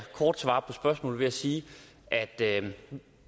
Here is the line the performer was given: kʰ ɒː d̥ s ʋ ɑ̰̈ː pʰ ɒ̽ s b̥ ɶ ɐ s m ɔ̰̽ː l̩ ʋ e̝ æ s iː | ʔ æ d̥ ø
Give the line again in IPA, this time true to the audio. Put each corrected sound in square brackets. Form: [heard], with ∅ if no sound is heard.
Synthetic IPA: kʰ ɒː d̥ s ʋ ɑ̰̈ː pʰ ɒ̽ s b̥ ɶ ɐ s m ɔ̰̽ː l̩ ʋ e̝ æ s iː | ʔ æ d̥ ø

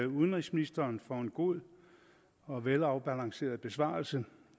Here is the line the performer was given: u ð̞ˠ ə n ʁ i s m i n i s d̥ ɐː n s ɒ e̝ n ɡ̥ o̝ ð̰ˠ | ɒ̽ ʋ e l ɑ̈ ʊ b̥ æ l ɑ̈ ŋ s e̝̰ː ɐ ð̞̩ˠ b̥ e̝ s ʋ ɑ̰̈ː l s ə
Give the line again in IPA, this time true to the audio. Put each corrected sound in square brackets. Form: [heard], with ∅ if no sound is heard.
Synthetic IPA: u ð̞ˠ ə n ʁ i s m i n i s d̥ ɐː n [f] ɒ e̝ n ɡ̥ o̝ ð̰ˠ | ɒ̽ ʋ e l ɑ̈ ʊ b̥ æ l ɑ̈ ŋ s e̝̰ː ɐ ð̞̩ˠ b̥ e̝ s ʋ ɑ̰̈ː l s ə

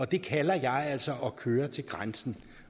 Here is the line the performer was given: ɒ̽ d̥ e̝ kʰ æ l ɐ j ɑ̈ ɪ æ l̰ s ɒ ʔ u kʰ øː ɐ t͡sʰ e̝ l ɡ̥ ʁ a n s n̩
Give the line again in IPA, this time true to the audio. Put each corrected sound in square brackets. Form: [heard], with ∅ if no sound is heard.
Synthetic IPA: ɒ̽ d̥ e̝ kʰ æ l ɐ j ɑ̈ ɪ æ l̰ s ɒ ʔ [ɒ] kʰ øː ɐ t͡sʰ e̝ l ɡ̥ ʁ a n s n̩

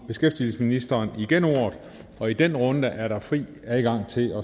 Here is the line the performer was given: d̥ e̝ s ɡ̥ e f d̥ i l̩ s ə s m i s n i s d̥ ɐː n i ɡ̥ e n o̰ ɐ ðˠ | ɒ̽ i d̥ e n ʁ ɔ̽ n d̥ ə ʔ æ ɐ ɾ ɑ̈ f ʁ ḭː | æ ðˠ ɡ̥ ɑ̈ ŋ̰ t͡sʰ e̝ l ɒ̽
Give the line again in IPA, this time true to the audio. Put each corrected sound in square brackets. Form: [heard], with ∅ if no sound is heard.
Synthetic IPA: [b̥] e̝ s ɡ̥ e f d̥ i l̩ s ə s m i [∅] n i s d̥ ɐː n i ɡ̥ e n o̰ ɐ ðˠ | ɒ̽ i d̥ e n ʁ ɔ̽ n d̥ ə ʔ æ ɐ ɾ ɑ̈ f ʁ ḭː | æ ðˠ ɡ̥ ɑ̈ ŋ̰ t͡sʰ e̝ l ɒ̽

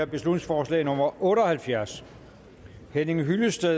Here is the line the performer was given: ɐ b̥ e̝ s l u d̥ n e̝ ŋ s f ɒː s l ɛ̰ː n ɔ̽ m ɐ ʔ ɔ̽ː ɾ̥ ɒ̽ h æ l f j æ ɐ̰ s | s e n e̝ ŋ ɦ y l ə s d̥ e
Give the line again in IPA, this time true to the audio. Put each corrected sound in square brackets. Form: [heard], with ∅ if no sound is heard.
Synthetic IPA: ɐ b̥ e̝ s l u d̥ n e̝ ŋ s f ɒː s l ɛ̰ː n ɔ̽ m ɐ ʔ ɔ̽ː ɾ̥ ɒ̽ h æ l f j æ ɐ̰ s | [h] e n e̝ ŋ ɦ y l ə s d̥ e

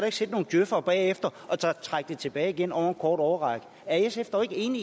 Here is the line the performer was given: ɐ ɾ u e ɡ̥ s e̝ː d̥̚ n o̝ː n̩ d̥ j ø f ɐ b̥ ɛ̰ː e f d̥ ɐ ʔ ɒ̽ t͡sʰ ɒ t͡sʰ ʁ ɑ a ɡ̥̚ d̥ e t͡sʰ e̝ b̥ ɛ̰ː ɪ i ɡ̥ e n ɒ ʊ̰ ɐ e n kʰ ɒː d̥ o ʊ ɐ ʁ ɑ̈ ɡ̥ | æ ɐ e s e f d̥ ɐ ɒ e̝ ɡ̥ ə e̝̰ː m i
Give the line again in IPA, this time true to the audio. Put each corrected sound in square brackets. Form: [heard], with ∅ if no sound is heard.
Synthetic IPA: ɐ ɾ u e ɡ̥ s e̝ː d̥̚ n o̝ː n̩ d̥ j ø f ɐ b̥ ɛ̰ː e f d̥ ɐ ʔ ɒ̽ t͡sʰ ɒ t͡sʰ ʁ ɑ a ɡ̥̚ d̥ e t͡sʰ e̝ b̥ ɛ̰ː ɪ i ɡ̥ e n ɒ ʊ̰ ɐ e n kʰ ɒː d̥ [ɒ] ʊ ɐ ʁ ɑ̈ ɡ̥ | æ ɐ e s e f d̥ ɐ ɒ e̝ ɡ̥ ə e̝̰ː [n] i

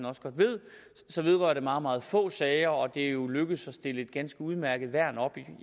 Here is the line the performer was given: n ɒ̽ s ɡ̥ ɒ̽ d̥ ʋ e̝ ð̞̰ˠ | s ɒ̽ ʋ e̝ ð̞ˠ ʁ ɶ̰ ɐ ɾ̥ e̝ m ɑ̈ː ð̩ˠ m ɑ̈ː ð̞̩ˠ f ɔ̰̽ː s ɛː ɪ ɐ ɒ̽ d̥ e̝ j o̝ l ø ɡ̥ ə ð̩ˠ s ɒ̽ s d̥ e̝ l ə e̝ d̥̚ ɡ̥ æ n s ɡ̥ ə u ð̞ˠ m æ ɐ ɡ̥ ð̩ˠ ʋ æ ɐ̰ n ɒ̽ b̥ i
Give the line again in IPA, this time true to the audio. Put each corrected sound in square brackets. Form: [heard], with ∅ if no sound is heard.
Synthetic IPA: n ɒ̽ s ɡ̥ ɒ̽ d̥ ʋ e̝ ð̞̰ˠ | s ɒ̽ ʋ e̝ ð̞ˠ ʁ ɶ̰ ɐ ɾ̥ e̝ m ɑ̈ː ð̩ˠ m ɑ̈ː ð̞̩ˠ f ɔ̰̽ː s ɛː ɪ ɐ ɒ̽ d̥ e̝ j o̝ l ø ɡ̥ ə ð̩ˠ s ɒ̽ s d̥ e̝ l ə e̝ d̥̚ ɡ̥ æ n s ɡ̥ ə u ð̞ˠ m æ ɐ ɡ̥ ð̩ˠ ʋ æ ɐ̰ n ɒ̽ b̥ i

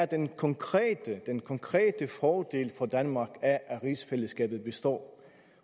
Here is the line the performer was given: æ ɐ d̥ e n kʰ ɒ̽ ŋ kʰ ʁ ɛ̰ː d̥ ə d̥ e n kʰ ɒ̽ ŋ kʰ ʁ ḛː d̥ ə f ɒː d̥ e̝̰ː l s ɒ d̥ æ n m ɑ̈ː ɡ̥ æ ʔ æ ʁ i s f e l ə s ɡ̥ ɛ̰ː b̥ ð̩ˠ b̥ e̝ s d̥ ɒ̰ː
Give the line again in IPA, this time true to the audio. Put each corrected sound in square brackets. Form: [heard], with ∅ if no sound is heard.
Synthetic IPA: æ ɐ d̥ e n kʰ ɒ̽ ŋ kʰ ʁ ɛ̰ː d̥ ə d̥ e n kʰ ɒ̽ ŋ kʰ ʁ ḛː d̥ ə f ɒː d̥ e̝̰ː l [f] ɒ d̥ æ n m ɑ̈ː ɡ̥ æ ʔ æ ʁ i s f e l ə s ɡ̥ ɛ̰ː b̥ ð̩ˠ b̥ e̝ s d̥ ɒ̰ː

